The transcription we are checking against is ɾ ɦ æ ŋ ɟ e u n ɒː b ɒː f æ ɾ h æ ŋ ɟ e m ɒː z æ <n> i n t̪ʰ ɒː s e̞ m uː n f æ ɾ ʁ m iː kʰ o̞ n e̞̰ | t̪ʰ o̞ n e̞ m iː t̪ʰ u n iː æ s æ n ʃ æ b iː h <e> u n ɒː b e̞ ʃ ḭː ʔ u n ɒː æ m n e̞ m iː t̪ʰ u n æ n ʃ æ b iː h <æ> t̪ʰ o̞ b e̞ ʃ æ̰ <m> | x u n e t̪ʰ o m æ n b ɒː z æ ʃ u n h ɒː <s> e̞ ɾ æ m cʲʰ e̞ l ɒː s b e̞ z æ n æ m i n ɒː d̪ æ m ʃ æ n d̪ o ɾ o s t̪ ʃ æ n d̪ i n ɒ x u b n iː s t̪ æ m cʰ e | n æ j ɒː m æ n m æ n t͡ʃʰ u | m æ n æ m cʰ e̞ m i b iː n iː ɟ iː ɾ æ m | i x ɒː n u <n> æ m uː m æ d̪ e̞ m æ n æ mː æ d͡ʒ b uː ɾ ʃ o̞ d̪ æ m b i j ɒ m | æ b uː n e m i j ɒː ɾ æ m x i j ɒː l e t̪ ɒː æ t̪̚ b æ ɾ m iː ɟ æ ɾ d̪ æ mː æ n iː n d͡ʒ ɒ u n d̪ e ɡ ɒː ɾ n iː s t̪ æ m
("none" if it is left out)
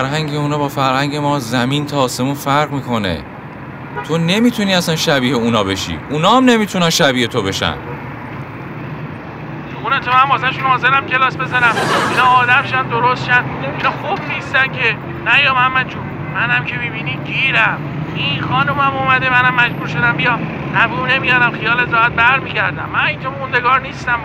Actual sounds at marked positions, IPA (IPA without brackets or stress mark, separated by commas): m, e, e, n, z, m